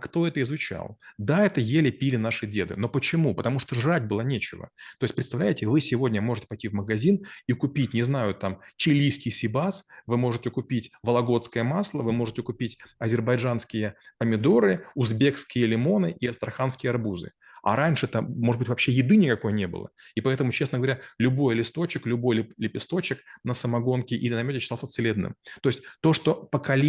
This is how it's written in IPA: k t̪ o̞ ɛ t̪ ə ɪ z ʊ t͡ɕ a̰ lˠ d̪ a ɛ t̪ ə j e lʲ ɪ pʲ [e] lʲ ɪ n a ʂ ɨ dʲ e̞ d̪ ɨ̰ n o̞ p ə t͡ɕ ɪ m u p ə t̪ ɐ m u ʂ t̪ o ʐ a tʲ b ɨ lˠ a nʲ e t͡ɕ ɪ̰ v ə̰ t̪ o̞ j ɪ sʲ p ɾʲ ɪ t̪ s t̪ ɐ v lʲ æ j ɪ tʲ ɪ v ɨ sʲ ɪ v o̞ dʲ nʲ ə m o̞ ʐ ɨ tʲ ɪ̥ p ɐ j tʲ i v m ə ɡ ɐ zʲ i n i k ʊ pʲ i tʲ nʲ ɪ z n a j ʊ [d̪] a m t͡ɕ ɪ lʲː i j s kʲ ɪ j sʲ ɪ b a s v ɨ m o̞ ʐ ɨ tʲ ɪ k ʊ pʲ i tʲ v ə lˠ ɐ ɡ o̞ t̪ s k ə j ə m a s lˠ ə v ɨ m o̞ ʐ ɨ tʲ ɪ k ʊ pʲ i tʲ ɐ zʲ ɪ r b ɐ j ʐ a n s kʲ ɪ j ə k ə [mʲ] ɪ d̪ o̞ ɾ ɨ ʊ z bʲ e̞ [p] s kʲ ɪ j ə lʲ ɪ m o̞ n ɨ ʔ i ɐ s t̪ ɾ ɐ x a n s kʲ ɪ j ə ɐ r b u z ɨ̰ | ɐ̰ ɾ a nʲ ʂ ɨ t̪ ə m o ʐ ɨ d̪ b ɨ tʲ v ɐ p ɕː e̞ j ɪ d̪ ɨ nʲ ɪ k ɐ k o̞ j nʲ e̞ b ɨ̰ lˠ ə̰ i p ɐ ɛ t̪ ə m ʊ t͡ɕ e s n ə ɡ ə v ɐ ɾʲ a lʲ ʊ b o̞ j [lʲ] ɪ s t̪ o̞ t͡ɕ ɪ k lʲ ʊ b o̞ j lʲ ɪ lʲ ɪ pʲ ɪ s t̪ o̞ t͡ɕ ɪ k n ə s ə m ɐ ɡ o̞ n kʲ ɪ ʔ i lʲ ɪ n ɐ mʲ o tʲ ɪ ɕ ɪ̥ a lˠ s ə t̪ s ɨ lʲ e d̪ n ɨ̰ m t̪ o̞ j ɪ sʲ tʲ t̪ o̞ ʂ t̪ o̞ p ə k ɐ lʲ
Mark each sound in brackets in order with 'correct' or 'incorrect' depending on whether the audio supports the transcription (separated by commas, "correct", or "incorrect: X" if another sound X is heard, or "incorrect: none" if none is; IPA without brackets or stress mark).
incorrect: i, incorrect: t̪, correct, incorrect: k, correct